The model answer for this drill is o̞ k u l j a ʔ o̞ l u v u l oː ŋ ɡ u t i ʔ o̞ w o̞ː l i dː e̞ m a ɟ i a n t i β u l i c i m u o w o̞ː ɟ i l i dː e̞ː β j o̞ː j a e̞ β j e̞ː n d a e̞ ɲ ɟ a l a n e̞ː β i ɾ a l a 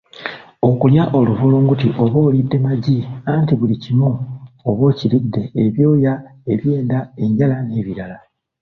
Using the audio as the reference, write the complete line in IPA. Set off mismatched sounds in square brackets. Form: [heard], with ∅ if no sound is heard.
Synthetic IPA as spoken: o̞ k u l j a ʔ o̞ l u v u l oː ŋ ɡ u t i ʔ o̞ [β] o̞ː l i dː e̞ m a ɟ i a n t i β u l i c i m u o [β] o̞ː [c] i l i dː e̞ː β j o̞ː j a e̞ β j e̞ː n d a e̞ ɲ ɟ a l a n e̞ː β i ɾ a l a